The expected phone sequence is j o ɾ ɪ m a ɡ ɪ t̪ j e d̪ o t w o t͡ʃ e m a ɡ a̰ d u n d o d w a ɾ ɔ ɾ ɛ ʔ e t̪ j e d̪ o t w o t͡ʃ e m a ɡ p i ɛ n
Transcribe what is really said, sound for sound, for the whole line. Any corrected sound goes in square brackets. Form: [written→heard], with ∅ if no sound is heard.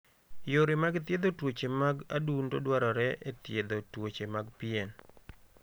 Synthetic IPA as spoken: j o ɾ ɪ m a ɡ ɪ t̪ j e d̪ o t w o t͡ʃ e m a ɡ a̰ d u n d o d w a ɾ ɔ ɾ ɛ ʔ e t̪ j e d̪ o t w o t͡ʃ e m a ɡ p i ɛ n